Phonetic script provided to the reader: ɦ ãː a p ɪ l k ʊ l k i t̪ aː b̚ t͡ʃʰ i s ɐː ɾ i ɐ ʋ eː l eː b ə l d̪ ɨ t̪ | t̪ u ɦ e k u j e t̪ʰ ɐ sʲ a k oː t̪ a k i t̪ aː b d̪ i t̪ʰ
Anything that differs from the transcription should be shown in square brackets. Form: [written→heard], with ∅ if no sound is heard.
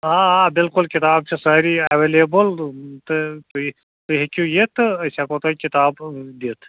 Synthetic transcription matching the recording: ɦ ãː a [p→b] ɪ l k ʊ l k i t̪ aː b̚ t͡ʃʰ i s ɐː ɾ i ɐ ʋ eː l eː b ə l [d̪→t̪] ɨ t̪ | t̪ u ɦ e k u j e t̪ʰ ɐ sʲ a k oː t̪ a k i t̪ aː b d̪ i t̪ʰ